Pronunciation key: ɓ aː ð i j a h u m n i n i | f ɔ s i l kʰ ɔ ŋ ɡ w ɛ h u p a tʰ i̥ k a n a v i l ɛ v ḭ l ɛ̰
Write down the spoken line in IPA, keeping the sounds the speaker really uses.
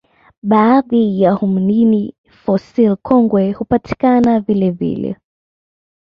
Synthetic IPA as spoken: ɓ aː ð i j a h u m n i n i | f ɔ s i l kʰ ɔ ŋ ɡ w ɛ h u p a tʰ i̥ k a n a v i l ɛ v ḭ l ɛ̰